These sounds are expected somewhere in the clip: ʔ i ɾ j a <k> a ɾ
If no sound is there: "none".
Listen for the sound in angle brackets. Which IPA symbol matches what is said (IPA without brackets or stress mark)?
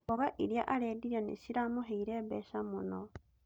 ʔ